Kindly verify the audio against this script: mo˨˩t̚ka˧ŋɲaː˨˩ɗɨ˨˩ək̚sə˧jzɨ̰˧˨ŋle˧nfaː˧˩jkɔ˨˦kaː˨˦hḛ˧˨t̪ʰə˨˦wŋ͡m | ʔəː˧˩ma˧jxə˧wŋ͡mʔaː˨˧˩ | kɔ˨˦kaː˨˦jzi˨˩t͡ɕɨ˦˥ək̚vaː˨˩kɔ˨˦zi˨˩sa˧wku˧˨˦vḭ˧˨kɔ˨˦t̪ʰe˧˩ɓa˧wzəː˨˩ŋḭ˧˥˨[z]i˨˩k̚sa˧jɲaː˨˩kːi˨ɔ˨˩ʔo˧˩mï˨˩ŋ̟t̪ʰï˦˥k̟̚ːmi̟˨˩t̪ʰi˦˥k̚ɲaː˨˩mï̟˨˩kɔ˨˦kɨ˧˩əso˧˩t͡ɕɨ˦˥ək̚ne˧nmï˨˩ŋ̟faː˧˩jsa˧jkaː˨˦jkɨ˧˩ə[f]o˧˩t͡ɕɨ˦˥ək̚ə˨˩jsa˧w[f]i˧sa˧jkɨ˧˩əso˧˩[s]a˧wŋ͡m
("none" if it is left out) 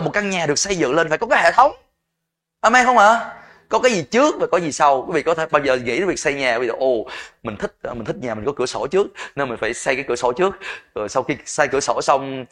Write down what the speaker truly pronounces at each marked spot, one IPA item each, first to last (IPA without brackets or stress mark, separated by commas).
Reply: v, s, x, s